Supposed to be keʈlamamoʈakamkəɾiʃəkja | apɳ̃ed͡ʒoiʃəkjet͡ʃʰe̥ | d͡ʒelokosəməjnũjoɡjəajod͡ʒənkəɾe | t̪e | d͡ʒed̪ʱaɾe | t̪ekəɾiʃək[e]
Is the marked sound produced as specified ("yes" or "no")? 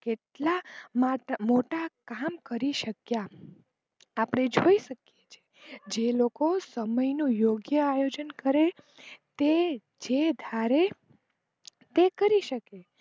yes